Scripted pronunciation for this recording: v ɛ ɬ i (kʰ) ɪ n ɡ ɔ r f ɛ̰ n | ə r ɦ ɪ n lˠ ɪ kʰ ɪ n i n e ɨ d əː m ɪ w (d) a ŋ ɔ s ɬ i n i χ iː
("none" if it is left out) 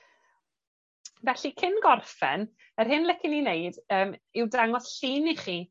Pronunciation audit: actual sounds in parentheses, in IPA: kʰ, d

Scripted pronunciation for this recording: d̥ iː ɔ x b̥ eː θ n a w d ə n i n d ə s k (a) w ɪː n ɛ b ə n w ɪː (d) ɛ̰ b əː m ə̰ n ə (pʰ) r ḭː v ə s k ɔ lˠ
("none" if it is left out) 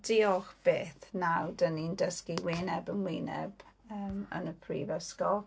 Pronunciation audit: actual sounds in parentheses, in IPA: i, n, pʰ

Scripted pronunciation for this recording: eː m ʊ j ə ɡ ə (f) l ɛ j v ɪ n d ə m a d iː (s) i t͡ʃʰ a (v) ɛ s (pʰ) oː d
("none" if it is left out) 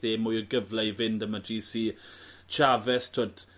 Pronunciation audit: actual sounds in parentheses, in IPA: v, s, v, tʰ

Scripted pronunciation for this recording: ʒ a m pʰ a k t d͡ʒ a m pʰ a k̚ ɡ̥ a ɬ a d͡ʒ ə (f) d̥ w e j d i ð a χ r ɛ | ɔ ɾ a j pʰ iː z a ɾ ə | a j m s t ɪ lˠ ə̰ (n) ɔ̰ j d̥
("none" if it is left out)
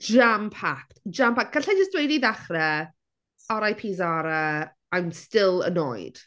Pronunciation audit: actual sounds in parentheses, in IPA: s, n

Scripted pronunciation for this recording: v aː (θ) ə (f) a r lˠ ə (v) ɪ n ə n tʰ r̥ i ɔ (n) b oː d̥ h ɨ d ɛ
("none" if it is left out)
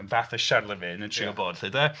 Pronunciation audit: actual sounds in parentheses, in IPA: θ, ʃ, v, none

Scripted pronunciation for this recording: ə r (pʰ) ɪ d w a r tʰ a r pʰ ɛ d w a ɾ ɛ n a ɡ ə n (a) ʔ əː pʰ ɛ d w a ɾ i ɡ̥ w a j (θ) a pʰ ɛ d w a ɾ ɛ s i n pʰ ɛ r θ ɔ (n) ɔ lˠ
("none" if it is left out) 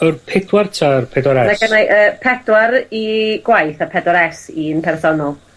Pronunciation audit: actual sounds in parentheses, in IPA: pʰ, a, θ, n

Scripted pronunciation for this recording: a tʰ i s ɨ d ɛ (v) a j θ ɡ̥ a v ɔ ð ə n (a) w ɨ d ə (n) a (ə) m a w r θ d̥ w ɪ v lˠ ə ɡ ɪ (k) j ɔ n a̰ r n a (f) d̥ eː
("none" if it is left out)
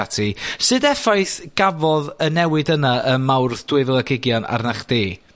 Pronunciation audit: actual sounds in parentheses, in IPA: f, ɛ, n, ə, ɡ, χ

